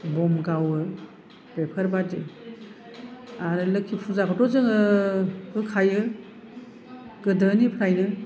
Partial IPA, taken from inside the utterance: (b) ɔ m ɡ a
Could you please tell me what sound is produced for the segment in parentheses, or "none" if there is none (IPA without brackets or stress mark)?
b